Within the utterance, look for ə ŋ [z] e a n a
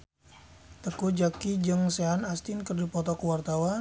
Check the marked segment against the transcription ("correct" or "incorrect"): incorrect